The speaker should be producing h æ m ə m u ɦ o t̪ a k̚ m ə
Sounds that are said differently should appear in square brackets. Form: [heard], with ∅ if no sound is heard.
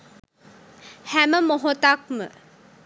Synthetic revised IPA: h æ m ə m [o] ɦ o t̪ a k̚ m ə